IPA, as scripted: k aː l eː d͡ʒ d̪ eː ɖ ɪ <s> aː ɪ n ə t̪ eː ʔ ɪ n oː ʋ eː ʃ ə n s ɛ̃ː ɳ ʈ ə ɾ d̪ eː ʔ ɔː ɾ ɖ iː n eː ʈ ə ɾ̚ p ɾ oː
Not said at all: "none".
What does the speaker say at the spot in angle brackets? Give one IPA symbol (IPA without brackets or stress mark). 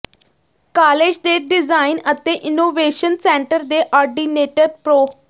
z